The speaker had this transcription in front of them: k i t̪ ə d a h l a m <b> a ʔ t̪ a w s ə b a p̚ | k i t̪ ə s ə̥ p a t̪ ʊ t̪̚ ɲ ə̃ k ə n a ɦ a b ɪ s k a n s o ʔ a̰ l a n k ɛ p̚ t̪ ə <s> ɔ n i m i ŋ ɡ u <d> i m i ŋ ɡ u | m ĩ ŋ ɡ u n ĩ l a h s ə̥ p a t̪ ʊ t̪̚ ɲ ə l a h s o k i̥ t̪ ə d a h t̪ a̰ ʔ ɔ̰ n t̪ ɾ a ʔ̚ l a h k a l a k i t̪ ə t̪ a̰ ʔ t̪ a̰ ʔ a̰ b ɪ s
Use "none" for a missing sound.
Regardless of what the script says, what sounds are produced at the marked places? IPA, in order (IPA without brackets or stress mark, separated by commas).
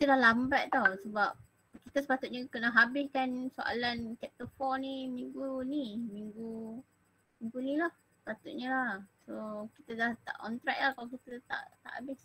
b, f, n